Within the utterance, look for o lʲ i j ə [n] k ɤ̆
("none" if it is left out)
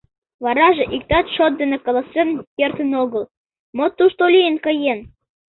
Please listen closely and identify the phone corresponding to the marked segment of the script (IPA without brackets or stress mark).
n